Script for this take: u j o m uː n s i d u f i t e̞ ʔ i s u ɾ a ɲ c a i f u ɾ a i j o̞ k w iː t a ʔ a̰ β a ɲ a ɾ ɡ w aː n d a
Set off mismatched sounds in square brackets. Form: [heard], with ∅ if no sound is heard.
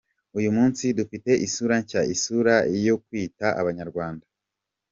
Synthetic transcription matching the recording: u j [u] m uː n s i d u f i t e̞ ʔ i s u ɾ a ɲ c a i [s] u ɾ a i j o̞ k w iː t a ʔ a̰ β a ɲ a ɾ ɡ w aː n d a